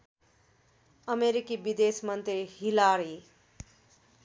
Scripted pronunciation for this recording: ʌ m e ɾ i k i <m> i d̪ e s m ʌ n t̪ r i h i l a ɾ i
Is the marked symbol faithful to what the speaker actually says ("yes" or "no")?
no